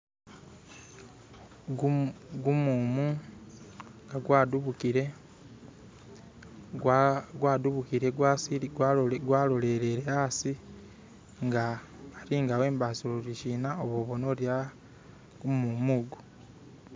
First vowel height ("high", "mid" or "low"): high